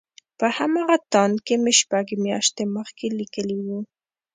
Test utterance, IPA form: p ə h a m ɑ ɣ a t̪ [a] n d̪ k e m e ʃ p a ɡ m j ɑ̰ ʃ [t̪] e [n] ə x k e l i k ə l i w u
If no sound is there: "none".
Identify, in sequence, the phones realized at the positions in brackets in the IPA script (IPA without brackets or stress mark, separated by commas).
ɑ, t̪, m